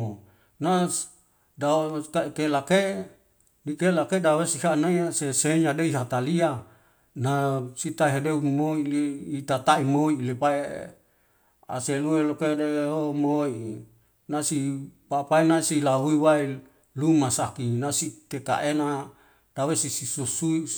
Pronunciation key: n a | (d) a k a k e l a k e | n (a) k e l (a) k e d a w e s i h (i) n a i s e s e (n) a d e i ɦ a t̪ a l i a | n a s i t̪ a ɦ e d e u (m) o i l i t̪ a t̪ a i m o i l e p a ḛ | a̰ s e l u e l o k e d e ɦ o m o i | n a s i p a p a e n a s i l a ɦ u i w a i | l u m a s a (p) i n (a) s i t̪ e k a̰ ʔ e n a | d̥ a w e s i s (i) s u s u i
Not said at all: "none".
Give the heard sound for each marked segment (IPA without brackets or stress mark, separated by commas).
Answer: d, i, a, a, ɲ, m, k, a, i